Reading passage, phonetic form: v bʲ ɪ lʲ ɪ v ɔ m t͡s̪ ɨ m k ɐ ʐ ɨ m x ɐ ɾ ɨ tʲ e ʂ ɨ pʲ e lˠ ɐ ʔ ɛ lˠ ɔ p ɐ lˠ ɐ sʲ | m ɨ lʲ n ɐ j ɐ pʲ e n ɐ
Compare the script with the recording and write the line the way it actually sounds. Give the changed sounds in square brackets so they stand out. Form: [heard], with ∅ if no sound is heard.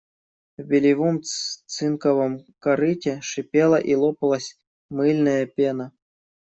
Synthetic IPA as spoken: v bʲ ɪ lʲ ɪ v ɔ m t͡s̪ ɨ [n] k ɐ [v] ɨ m [k] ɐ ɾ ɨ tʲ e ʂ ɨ pʲ e lˠ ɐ ʔ [i] lˠ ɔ p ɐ lˠ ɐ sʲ | m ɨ lʲ n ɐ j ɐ pʲ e n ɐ